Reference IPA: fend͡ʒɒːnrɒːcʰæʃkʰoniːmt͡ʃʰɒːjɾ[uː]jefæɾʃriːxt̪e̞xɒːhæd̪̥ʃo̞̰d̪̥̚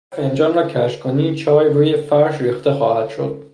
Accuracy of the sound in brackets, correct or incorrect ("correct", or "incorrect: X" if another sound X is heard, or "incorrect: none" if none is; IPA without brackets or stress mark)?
correct